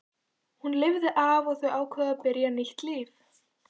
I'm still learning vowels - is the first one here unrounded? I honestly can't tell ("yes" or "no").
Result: no